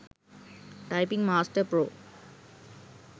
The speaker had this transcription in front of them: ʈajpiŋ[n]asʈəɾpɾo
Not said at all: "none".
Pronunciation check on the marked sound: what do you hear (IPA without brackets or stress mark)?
m